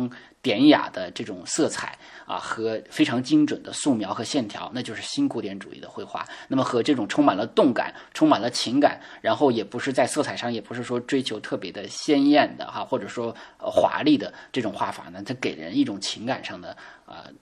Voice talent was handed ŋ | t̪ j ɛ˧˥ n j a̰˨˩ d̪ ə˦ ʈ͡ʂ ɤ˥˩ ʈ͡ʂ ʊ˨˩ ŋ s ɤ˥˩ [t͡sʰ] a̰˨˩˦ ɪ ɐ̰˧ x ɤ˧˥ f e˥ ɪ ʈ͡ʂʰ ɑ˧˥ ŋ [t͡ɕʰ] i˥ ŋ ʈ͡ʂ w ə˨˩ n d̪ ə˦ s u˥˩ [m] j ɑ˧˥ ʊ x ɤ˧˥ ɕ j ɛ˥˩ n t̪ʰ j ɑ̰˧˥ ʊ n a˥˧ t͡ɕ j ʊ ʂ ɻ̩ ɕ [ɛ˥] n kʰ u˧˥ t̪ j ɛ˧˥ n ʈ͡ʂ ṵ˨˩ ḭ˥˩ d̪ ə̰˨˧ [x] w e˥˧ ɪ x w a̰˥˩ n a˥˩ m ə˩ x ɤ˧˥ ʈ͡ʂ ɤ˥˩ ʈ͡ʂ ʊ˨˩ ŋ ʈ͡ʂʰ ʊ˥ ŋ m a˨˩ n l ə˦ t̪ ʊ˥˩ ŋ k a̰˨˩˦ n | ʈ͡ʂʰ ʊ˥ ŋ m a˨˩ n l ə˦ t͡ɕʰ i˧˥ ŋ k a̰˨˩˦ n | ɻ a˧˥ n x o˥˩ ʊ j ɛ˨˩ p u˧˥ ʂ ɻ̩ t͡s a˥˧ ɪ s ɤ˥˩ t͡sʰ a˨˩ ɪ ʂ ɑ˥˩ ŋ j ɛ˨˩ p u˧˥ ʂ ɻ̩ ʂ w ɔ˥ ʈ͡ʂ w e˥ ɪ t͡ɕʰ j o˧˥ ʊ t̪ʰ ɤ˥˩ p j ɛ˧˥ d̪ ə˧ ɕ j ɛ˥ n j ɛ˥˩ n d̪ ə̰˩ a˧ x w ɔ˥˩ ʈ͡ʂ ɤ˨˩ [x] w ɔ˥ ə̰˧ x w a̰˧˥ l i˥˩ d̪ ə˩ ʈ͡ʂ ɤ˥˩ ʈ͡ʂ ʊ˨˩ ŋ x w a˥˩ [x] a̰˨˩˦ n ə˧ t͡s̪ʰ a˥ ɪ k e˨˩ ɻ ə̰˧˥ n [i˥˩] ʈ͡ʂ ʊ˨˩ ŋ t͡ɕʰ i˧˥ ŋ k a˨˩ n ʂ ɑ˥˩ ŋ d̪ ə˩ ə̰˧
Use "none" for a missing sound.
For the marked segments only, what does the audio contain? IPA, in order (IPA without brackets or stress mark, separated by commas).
t͡sʰ, t͡ɕ, m, i˥, x, ʂ, f, i˥˩